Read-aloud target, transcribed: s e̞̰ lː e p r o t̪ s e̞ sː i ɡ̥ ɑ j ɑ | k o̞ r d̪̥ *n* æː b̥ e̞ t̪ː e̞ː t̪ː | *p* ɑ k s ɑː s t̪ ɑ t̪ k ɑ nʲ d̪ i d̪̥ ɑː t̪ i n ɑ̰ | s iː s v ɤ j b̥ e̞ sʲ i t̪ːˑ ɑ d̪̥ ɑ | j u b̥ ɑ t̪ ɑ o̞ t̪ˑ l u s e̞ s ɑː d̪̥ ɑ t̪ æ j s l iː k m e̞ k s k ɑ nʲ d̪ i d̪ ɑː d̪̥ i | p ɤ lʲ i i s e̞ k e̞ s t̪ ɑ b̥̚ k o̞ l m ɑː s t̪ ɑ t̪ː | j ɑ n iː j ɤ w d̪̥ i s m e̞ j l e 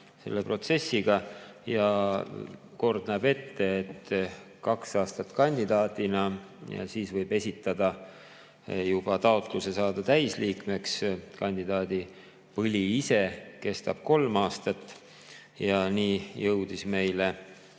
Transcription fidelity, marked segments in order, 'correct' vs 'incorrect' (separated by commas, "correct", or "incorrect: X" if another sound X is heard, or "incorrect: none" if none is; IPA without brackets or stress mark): correct, incorrect: k